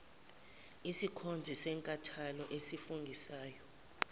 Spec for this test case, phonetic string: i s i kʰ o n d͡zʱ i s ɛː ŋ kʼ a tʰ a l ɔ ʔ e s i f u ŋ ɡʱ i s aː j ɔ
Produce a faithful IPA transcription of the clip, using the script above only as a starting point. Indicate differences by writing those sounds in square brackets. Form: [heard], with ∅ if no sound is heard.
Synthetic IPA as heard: i s i kʰ o n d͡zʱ i s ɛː ŋ kʼ a tʰ a l ɔ ʔ e s i f u ŋ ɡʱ i s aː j ɔ